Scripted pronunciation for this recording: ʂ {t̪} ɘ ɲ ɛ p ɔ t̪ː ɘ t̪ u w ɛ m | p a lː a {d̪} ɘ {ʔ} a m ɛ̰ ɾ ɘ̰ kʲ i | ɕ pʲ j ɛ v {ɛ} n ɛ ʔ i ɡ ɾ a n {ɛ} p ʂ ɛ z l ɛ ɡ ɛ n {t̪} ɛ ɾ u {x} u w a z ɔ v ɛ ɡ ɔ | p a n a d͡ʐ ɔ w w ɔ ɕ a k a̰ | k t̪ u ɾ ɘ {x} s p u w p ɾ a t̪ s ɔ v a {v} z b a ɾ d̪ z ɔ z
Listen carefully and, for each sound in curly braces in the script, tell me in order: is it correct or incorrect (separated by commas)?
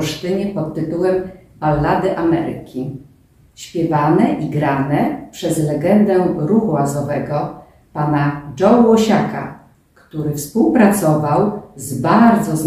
correct, correct, correct, incorrect, correct, incorrect, correct, incorrect, incorrect